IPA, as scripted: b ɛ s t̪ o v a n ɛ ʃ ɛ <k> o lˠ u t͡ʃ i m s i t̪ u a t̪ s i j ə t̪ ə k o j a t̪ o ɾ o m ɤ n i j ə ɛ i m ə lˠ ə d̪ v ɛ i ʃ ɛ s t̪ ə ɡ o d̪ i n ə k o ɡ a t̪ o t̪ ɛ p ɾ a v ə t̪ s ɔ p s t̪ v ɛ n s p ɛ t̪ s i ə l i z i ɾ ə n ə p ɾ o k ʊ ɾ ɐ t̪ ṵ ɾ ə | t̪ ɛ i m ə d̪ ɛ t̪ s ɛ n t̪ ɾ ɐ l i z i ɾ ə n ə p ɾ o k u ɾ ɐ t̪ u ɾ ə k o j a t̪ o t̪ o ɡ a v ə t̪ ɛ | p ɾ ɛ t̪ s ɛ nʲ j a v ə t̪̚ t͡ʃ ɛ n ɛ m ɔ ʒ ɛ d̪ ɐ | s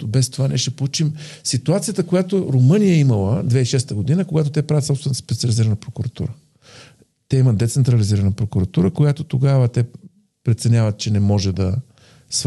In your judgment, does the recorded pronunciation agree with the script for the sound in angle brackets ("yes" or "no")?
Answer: no